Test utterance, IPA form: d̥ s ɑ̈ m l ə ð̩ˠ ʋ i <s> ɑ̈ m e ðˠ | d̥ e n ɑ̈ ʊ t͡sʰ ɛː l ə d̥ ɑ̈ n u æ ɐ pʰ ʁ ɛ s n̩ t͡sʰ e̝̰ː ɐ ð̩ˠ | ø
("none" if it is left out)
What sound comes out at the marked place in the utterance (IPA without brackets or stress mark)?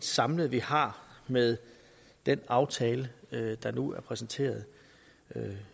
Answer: h